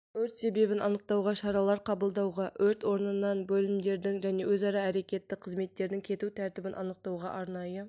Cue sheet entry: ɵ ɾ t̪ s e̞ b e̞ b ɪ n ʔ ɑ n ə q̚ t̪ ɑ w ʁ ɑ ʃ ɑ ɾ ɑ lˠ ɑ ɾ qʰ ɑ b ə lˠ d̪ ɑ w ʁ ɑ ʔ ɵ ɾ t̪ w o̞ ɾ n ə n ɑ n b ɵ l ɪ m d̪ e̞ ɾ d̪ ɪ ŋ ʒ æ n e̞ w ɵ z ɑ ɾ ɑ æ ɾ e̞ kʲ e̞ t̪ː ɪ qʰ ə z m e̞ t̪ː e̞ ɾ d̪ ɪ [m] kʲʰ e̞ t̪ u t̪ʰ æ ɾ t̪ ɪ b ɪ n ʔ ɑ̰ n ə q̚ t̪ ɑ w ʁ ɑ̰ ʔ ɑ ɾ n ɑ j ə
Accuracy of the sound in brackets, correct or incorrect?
incorrect: ŋ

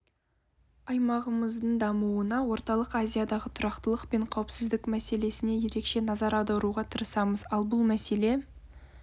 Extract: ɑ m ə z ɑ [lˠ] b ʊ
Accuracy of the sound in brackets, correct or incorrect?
correct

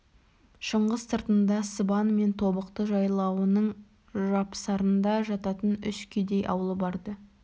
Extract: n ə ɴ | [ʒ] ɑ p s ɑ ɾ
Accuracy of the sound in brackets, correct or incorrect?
correct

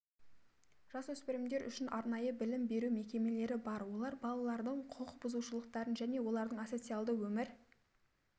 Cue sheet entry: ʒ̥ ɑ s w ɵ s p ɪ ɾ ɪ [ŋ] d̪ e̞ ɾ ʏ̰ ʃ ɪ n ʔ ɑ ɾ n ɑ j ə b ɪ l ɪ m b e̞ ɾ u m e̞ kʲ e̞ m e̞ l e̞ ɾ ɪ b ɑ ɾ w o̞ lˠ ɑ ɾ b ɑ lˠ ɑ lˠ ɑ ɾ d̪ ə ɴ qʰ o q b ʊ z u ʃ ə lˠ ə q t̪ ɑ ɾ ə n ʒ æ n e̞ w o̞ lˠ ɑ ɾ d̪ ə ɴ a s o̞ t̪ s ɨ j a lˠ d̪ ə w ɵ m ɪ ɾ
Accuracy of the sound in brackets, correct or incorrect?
incorrect: m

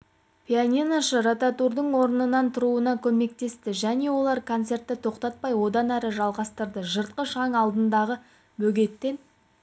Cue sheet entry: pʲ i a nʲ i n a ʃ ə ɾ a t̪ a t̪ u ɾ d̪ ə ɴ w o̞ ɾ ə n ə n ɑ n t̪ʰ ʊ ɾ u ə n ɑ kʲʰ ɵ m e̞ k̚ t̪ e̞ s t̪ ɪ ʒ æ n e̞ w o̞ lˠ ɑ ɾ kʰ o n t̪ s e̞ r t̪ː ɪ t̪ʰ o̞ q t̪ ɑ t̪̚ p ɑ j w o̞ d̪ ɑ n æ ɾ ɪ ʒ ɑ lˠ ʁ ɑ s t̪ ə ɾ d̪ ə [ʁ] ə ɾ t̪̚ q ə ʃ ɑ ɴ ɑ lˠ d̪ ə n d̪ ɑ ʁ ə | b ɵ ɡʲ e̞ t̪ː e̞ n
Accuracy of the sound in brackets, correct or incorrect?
incorrect: ʒ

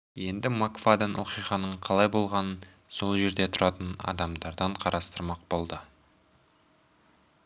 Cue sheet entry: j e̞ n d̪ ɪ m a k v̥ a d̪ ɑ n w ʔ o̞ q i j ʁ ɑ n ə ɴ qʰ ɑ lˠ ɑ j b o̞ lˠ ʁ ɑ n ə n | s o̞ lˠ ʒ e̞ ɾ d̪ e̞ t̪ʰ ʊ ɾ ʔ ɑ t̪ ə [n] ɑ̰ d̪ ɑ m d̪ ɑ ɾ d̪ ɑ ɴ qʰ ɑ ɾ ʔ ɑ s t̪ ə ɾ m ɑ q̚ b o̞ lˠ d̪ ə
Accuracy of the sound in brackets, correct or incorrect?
correct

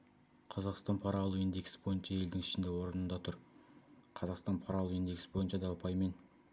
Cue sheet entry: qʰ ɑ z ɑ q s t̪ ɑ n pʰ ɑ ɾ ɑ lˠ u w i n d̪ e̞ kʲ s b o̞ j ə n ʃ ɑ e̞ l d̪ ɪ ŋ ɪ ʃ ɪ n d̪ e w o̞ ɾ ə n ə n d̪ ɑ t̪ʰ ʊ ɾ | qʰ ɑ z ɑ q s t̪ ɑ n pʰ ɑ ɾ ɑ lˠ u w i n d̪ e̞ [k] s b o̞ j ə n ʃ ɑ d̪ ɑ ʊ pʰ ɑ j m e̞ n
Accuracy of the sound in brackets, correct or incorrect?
correct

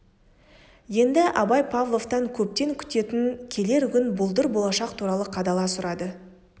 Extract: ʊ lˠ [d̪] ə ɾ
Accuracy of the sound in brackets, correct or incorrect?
correct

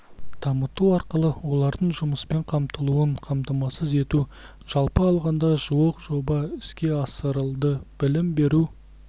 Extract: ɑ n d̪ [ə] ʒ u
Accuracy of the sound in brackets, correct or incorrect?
incorrect: ɑ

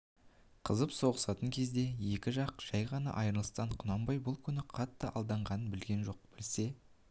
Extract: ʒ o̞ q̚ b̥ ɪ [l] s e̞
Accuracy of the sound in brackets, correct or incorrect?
correct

